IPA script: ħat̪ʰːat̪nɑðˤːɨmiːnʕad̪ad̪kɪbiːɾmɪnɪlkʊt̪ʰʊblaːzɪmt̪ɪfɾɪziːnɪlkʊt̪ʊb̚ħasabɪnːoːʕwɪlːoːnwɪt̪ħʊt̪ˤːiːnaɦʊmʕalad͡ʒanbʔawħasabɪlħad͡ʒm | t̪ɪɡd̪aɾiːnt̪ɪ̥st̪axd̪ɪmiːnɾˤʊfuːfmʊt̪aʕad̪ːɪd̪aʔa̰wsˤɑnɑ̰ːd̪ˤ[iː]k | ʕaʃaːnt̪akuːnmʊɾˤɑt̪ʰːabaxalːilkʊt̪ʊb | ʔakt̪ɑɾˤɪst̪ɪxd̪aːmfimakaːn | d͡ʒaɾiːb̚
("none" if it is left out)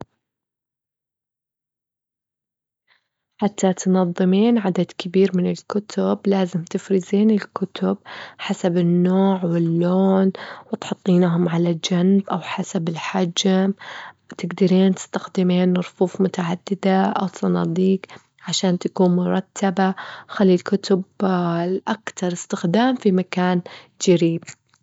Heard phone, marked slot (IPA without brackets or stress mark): iː